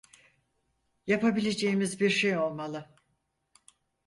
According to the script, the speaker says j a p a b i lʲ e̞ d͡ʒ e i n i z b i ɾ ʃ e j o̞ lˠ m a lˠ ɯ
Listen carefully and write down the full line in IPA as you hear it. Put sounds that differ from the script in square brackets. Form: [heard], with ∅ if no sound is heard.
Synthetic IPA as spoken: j a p a b i lʲ e̞ d͡ʒ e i [m] i z b i ɾ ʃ e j o̞ lˠ m a lˠ ɯ